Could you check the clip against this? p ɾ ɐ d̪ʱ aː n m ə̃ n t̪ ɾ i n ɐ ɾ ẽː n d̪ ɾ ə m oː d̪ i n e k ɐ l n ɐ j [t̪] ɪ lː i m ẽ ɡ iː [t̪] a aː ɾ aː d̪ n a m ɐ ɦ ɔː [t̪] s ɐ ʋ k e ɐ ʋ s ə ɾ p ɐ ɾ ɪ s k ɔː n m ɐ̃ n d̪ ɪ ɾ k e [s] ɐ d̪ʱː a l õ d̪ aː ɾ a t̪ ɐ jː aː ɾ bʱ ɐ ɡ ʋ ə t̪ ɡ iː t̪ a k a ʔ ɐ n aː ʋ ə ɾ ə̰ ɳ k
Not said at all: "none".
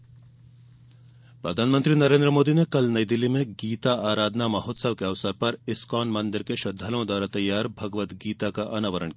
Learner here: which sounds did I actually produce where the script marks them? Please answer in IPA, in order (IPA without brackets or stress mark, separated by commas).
d̪, t̪, t̪, ʃ